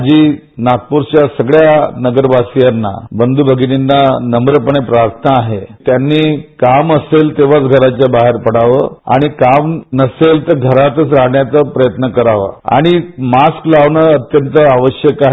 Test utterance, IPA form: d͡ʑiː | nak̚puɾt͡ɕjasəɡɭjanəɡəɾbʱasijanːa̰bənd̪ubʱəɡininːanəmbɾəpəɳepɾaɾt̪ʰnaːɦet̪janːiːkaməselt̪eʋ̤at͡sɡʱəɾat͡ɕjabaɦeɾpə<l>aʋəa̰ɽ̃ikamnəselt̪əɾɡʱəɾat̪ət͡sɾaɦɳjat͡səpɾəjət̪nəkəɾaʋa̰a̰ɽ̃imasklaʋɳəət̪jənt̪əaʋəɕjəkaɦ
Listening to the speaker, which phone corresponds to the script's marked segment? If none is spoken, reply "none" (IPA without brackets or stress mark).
ɽ